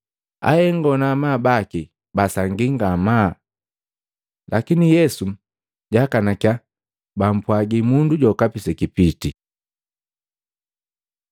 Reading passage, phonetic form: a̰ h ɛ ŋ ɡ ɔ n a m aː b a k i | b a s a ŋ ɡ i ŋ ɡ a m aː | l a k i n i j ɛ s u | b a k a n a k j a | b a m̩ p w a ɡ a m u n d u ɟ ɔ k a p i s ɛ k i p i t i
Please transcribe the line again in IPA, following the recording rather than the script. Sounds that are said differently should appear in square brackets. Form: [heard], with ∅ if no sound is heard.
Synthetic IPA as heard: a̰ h ɛ ŋ ɡ ɔ n a m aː b a k i | b a s a ŋ ɡ i ŋ ɡ a m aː | l a k i n i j ɛ s u | [ɟ] a k a n a k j a | b a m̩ p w a ɡ [i] m u n d u ɟ ɔ k a p i s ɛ k i p i t i